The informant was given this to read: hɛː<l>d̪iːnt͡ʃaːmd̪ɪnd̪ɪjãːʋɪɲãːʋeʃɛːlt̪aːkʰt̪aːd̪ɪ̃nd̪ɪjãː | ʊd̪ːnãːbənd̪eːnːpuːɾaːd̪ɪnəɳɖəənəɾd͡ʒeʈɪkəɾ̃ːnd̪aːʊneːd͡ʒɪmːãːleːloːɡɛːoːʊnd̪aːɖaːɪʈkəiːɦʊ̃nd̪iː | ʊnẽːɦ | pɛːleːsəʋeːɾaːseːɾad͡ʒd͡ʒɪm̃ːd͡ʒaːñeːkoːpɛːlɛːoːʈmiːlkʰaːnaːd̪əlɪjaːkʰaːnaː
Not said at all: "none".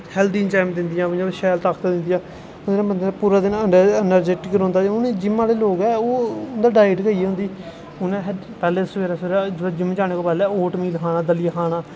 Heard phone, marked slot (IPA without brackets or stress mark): l